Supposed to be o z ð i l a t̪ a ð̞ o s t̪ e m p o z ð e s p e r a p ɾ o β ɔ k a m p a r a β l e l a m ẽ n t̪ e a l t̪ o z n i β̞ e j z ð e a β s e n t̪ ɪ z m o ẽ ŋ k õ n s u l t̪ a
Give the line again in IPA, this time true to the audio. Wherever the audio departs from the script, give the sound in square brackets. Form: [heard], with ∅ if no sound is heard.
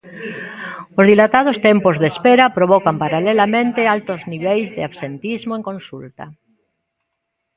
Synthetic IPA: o z ð i l a t̪ a ð̞ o s t̪ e m p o z ð e s p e [ɾ] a p ɾ o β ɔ k a m p a [ɾ] a [∅] l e l a m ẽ n t̪ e a l t̪ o z n i β̞ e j z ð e a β s e n t̪ [i] z m o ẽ ŋ k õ n s u l t̪ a